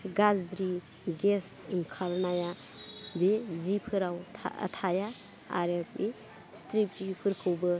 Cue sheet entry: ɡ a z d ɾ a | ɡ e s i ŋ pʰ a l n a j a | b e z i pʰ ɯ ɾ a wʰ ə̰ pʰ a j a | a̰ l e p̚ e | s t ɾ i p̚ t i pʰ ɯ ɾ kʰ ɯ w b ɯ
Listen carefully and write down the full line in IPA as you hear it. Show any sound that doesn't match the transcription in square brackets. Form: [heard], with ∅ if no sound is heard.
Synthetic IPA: ɡ a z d ɾ [i] | ɡ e s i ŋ [kʰ] a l n a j a | b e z i pʰ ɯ ɾ a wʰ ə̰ [tʰ] a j a | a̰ [ɾ] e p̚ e | s t ɾ i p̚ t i pʰ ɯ ɾ kʰ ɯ w b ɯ